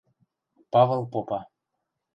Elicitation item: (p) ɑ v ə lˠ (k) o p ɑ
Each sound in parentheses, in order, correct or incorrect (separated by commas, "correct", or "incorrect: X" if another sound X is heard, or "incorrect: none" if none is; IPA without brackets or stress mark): correct, incorrect: p